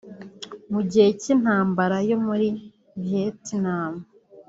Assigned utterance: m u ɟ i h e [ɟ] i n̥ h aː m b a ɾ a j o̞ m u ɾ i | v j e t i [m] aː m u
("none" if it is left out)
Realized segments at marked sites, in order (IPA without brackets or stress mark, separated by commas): c, n